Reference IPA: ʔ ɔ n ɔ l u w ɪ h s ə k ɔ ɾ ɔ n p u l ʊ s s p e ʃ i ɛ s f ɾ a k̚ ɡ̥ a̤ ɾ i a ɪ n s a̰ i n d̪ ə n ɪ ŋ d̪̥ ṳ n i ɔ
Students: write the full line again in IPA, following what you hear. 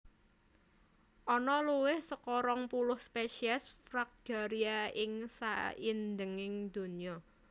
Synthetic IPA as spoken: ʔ ɔ n ɔ l u w ɪ h s ə k ɔ ɾ ɔ ŋ p u l ʊ h s p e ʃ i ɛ s f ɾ a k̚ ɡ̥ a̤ ɾ i a ɪ ŋ s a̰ i n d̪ ə ŋ ɪ ŋ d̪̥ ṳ n i ɔ